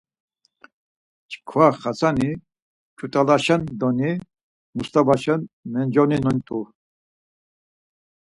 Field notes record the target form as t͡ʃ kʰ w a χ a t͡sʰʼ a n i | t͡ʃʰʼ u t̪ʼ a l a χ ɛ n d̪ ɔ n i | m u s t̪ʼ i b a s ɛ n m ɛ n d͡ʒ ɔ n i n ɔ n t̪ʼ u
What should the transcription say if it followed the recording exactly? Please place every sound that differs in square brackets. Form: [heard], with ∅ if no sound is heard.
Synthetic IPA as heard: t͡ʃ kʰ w a χ a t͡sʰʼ a n i | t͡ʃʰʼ u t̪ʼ a l a [ʃ] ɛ n d̪ ɔ n i | m u s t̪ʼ [a] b a [ʃ] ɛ n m ɛ n d͡ʒ ɔ n i n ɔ n t̪ʼ u